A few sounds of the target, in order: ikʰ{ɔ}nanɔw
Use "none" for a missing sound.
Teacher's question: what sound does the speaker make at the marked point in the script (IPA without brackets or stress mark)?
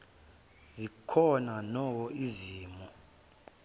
ɔ